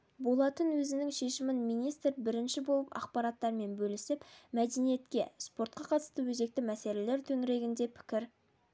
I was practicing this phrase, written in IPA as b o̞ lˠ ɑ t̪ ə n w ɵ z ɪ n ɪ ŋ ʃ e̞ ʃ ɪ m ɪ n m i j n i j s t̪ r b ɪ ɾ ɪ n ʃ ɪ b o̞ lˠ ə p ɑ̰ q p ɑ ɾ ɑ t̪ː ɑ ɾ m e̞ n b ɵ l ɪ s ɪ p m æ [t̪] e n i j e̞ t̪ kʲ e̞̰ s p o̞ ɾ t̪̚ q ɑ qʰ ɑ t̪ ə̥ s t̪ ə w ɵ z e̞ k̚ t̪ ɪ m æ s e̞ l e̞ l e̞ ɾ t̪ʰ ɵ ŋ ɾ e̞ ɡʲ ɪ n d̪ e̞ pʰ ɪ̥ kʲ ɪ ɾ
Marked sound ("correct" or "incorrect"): incorrect